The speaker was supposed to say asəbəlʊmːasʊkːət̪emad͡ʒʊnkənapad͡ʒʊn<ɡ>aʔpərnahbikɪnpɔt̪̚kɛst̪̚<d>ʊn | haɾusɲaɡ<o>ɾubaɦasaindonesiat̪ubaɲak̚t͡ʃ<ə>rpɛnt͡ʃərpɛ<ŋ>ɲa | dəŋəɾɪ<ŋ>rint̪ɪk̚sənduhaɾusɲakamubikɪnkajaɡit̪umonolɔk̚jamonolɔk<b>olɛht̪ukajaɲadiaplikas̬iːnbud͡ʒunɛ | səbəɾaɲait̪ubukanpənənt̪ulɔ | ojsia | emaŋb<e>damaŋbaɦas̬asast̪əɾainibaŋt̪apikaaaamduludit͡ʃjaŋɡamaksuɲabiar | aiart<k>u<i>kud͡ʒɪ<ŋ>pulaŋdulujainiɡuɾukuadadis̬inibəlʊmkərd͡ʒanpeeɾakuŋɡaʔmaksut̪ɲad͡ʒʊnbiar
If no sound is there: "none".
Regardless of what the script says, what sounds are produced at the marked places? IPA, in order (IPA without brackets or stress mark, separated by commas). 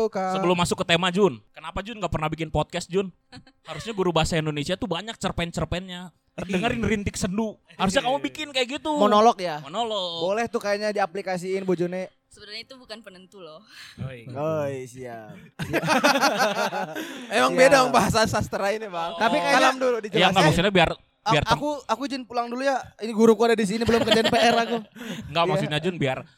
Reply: ɡ, d͡ʒ, u, ə, n, n, b, e, k, a, n